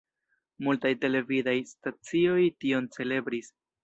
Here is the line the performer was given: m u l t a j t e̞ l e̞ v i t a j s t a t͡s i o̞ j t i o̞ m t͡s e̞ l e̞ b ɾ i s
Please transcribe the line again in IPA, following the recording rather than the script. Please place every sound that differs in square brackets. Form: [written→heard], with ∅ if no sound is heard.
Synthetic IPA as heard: m u l t a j t e̞ l e̞ v i [t→d] a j s t a t͡s i o̞ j t i o̞ [m→n] t͡s e̞ l e̞ b ɾ i s